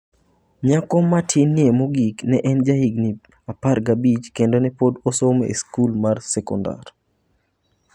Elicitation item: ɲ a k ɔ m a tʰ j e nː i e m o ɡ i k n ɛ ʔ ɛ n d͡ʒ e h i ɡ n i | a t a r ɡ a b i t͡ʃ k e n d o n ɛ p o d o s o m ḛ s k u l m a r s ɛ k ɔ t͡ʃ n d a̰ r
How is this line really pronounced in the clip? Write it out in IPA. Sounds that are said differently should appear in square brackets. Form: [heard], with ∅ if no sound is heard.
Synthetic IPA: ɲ a k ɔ m a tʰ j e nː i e m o ɡ i k n ɛ ʔ ɛ n d͡ʒ [a] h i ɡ n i | a [p] a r ɡ a b i t͡ʃ k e n d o n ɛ p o d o s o m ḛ s k u l m a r s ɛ k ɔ [∅] n d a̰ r